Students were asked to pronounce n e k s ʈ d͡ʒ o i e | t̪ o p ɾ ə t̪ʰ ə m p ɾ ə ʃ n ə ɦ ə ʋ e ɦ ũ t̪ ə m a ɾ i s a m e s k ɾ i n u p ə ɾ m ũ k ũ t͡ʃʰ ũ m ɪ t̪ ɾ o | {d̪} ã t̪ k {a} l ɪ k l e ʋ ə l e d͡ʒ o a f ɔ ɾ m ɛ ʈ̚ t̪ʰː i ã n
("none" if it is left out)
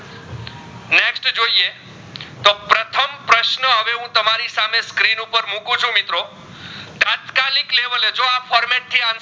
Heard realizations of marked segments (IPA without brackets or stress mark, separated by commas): t̪, a